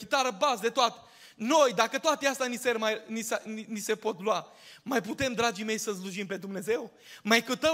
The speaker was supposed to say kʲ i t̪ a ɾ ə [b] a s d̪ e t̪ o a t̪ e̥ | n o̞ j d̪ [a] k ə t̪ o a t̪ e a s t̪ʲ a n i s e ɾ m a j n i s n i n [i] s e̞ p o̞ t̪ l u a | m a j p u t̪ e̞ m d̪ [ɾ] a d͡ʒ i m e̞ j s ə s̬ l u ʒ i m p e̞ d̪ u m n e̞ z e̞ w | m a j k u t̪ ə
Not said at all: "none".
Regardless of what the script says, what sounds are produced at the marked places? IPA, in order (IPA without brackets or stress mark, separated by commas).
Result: b, a, i, ɾ